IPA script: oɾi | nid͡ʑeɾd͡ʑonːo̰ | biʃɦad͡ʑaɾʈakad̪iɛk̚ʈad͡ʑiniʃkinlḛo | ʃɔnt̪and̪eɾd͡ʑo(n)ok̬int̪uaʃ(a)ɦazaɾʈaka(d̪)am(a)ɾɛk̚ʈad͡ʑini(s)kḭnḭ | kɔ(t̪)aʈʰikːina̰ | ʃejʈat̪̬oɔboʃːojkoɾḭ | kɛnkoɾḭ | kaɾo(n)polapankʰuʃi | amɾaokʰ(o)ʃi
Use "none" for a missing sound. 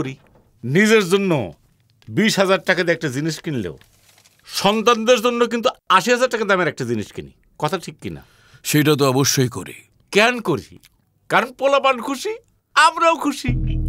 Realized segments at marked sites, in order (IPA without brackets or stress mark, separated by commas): nː, i, d̪, e, ʃ, t̪ʰ, n, u